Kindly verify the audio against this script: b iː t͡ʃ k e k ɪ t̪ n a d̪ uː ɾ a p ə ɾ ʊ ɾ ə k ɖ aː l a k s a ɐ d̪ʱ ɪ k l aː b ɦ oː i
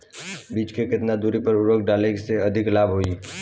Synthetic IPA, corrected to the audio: b iː t͡ʃ k e k ɪ t̪ n a d̪ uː ɾ i p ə ɾ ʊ ɾ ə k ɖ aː l e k s e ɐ d̪ʱ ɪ k l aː b ɦ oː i